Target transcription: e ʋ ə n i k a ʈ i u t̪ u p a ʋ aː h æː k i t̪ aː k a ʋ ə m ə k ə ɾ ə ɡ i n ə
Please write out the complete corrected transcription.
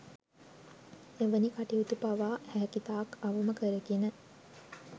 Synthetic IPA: e ʋ ə n i k a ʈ i u t̪ u p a ʋ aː h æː k i t̪ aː k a ʋ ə m ə k ə ɾ ə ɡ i n ə